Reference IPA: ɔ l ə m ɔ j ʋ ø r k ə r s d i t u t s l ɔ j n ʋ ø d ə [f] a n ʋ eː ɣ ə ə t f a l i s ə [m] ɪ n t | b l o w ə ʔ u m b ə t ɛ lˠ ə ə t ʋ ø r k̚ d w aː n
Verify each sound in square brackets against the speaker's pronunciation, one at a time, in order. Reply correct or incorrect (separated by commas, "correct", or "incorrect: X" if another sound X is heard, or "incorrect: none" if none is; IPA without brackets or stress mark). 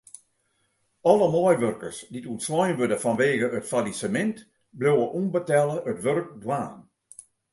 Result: correct, correct